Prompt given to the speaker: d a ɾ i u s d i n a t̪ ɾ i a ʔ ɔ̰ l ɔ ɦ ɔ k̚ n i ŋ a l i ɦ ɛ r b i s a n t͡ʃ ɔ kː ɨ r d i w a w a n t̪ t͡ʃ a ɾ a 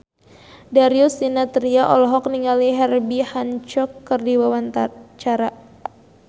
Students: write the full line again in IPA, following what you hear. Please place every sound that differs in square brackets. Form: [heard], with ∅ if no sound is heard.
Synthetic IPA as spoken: d a ɾ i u s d i n a t̪ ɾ i a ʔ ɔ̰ l ɔ ɦ ɔ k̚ n i ŋ a l i ɦ ɛ r b i [h] a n t͡ʃ ɔ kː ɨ r d i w a w a n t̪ t͡ʃ a ɾ a